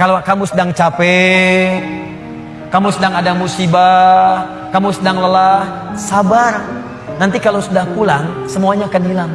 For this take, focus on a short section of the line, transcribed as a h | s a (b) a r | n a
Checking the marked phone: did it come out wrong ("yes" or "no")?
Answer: no